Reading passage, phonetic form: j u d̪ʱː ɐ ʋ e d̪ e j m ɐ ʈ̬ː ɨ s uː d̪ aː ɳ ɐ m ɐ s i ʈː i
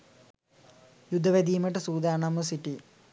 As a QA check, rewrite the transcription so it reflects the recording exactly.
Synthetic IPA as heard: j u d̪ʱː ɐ ʋ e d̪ i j m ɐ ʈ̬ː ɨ s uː d̪ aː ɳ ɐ m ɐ s i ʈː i